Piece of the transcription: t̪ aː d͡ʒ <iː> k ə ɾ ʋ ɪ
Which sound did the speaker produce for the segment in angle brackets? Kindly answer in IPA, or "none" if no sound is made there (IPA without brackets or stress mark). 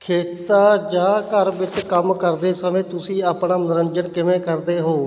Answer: aː